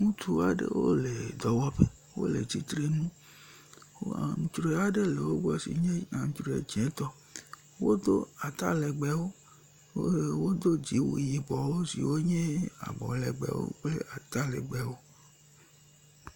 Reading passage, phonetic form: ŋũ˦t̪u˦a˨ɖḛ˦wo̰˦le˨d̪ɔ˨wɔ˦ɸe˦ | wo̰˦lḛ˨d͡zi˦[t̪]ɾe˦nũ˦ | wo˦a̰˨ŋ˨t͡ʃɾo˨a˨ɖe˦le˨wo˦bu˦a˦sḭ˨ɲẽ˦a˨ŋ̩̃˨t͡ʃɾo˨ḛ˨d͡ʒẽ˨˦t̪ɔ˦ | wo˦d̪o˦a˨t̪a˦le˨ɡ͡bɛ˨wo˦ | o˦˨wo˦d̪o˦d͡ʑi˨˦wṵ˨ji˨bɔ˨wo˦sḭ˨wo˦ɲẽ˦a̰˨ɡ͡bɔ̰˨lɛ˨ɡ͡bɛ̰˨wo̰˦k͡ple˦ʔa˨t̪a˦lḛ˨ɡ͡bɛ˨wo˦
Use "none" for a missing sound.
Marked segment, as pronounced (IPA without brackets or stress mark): t̪